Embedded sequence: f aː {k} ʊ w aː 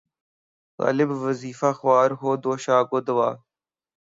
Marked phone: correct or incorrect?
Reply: incorrect